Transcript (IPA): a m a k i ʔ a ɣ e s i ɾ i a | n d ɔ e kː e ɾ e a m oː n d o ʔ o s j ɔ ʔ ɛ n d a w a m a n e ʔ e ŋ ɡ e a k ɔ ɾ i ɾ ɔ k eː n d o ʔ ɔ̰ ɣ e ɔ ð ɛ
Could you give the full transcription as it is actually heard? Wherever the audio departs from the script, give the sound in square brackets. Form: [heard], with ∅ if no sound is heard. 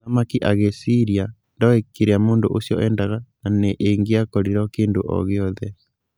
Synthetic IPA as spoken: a m a k i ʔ a ɣ e s i ɾ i a | n d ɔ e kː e ɾ e a m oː n d o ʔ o s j ɔ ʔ ɛ n d a [ɣ] a [n] a n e ʔ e ŋ ɡ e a k ɔ ɾ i ɾ ɔ k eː n d o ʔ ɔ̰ ɣ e ɔ ð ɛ